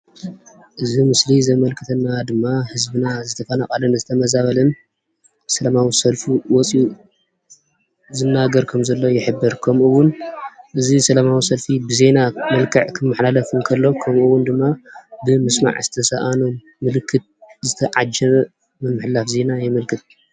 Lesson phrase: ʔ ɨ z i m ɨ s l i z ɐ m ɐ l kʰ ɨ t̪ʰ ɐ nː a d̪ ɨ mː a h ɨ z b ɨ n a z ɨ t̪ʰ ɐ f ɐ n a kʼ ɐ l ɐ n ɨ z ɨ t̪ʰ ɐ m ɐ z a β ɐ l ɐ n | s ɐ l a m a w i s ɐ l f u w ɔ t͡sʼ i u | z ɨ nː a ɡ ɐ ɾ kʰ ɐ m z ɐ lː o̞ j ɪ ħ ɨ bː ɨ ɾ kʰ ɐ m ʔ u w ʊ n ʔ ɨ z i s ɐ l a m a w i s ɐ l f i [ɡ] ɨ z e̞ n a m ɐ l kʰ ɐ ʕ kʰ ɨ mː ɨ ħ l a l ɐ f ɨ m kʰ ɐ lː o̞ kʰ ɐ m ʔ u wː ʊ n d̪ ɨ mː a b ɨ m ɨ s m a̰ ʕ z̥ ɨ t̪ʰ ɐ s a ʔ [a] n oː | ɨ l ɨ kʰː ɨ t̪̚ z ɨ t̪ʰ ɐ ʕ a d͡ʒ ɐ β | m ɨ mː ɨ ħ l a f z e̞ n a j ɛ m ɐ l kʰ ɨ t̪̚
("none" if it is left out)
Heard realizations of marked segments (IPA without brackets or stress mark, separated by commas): b, a